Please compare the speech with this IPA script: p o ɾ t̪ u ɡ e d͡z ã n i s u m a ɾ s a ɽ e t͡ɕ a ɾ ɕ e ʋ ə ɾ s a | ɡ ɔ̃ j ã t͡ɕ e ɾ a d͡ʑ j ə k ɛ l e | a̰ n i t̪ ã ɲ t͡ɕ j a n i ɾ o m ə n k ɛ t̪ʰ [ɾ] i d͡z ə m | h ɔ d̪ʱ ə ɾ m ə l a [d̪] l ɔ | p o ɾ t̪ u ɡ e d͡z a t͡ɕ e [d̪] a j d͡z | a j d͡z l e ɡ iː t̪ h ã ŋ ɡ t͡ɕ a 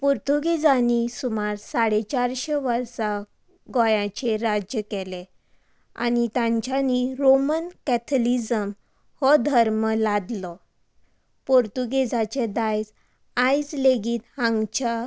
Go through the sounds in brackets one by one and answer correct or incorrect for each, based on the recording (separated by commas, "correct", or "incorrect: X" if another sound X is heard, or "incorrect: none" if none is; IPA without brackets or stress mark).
incorrect: l, correct, correct